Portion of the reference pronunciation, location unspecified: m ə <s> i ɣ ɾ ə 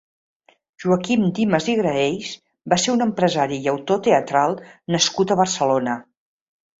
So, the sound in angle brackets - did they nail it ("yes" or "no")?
no